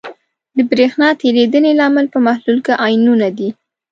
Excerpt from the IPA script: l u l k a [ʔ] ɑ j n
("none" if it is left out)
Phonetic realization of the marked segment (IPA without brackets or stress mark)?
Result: ʔ